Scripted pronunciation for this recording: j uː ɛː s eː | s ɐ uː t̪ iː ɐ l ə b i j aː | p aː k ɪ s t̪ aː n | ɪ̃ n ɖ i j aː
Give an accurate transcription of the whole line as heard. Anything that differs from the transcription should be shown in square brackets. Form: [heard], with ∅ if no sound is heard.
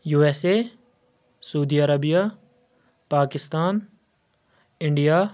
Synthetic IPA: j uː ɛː s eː | s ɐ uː [d̪] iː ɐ [ɾ] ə b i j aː | p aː k ɪ s t̪ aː n | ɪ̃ [ɳ] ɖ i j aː